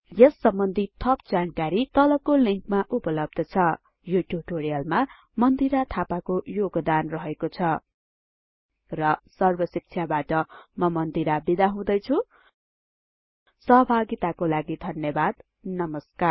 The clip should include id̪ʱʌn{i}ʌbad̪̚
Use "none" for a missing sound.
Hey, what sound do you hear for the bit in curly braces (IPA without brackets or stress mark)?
j